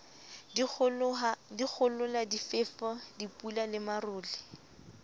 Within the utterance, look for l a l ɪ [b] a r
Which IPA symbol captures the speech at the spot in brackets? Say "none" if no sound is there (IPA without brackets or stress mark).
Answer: m